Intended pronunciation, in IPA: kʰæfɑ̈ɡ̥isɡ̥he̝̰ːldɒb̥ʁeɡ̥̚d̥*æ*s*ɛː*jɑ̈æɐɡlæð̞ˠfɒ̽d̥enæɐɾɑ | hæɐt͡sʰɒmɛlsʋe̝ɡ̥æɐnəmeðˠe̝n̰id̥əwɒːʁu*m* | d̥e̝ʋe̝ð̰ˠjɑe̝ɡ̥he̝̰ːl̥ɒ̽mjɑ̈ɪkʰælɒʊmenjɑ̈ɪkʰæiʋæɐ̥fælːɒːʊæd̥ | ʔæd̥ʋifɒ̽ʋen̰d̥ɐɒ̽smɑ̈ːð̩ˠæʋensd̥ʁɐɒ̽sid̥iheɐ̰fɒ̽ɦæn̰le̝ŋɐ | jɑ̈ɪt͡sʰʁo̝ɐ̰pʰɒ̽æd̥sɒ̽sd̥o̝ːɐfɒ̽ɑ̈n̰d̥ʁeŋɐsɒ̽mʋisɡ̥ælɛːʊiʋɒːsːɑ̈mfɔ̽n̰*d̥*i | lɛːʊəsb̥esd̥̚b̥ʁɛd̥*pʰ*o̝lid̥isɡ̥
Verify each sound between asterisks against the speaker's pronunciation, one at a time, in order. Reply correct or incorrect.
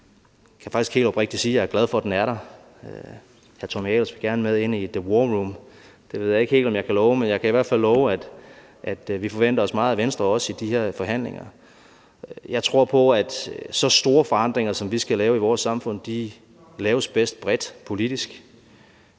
incorrect: i, incorrect: iː, correct, correct, correct

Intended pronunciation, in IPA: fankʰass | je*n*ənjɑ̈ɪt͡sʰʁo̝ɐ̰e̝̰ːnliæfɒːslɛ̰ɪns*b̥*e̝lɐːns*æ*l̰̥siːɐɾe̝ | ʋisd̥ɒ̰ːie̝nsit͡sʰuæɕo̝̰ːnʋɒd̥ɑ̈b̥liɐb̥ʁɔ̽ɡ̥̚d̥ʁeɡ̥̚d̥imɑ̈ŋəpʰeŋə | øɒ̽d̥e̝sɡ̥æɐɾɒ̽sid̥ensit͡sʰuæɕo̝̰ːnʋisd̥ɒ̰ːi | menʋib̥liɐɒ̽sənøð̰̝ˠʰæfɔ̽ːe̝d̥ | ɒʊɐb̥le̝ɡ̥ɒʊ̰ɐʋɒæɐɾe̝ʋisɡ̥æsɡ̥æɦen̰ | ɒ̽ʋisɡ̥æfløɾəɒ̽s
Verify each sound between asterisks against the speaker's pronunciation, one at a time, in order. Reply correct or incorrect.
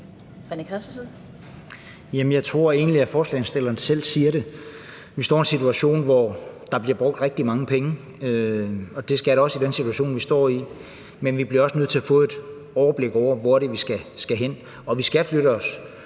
incorrect: m, incorrect: d̥, incorrect: e

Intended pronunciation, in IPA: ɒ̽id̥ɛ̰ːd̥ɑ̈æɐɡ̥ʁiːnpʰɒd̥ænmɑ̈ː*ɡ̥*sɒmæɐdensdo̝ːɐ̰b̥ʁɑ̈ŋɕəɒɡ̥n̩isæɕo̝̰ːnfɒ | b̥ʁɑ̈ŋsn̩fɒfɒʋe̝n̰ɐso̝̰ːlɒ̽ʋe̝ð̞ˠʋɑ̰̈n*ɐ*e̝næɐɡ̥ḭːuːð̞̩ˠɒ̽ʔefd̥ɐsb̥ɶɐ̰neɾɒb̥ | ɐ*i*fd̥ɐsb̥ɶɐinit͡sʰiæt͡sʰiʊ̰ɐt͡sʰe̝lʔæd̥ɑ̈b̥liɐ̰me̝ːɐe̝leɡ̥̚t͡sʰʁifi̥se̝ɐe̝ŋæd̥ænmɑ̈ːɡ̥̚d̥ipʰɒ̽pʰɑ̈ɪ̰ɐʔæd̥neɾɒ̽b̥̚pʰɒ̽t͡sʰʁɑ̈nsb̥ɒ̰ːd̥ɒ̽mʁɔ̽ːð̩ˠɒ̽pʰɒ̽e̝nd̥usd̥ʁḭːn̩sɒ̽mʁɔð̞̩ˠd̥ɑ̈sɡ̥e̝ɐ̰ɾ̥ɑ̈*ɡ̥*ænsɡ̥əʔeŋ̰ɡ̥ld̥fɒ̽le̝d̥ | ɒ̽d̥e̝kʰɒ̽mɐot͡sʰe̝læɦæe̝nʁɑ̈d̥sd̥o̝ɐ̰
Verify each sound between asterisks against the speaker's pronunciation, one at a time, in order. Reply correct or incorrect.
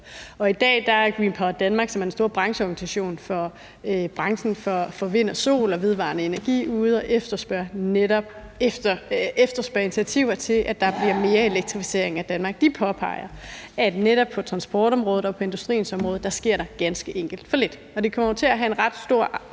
correct, incorrect: ə, incorrect: e, correct

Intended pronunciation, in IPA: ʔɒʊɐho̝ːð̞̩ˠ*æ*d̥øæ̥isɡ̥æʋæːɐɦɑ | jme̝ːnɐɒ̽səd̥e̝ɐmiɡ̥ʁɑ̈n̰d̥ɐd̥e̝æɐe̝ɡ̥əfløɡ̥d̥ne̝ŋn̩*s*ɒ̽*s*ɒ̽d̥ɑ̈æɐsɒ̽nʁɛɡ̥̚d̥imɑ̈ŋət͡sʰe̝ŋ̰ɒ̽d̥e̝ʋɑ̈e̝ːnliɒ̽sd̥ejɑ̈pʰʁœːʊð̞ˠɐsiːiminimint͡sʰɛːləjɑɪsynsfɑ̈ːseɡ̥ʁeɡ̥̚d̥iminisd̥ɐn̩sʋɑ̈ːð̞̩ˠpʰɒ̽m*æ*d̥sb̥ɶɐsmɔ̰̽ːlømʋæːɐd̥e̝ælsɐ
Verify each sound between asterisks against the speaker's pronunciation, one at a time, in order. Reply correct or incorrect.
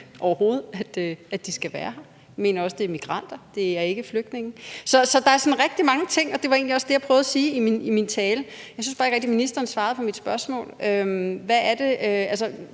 correct, correct, correct, incorrect: i

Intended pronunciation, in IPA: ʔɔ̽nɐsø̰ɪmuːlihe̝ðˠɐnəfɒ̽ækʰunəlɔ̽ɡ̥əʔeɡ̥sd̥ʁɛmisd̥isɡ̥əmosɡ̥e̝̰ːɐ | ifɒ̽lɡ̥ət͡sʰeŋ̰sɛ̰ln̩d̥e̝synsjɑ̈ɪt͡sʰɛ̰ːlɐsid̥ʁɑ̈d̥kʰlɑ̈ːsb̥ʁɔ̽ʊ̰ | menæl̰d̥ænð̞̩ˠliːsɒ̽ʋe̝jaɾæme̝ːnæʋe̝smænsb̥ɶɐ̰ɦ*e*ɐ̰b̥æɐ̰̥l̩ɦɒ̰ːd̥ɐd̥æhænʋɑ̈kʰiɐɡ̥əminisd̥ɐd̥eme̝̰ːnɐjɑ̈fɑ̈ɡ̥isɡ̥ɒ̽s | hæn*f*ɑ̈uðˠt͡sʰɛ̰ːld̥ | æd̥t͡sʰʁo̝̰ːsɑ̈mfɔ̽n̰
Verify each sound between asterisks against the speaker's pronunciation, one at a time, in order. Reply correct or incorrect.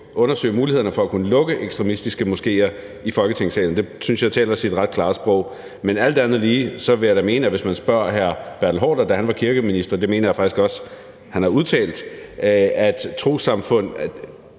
incorrect: æ, incorrect: h

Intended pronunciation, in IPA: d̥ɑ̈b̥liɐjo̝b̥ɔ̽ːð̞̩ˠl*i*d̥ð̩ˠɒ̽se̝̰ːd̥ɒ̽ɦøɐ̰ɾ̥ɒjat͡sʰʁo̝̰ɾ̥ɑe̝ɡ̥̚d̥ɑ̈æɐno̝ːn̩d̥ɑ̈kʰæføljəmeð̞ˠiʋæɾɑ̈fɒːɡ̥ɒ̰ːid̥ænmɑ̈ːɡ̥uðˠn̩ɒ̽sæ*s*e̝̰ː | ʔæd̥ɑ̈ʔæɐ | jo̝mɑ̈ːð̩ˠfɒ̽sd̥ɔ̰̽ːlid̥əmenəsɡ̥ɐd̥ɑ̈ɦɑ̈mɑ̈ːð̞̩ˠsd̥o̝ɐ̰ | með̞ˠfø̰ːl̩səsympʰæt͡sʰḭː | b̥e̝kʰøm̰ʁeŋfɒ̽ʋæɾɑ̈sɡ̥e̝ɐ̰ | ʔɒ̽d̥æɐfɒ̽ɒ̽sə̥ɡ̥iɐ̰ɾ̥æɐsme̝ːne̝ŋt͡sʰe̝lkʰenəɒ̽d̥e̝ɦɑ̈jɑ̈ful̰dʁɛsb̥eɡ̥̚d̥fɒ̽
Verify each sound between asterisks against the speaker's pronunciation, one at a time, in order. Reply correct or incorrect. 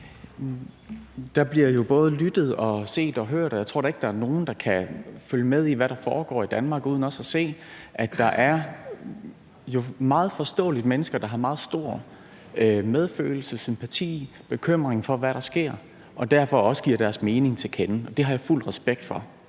incorrect: y, correct

